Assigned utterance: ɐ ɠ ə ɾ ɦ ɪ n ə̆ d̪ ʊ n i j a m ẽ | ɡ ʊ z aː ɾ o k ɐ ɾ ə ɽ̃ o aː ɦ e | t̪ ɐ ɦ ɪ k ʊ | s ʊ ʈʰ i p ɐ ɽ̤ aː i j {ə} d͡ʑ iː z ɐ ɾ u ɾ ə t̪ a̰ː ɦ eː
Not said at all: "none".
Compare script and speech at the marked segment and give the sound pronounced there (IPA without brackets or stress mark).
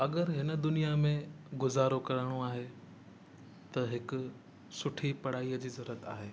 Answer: ə